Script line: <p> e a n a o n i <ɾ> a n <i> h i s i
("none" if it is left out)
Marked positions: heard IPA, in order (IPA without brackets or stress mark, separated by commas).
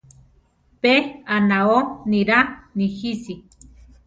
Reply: p, ɾ, i